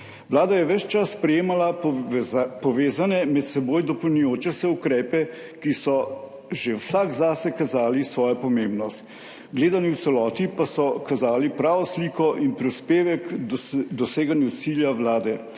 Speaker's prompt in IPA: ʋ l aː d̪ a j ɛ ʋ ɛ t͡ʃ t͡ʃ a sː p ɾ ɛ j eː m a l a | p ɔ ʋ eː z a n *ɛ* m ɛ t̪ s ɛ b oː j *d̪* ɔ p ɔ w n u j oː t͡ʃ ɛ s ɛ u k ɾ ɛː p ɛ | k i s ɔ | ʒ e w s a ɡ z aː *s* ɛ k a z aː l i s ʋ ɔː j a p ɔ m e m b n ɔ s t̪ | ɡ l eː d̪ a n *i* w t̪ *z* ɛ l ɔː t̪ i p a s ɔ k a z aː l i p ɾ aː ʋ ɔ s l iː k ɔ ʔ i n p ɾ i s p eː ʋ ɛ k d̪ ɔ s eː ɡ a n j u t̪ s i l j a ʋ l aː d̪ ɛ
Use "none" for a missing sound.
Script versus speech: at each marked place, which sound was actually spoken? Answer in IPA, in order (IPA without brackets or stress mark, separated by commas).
ɛ, d̪, s, i, s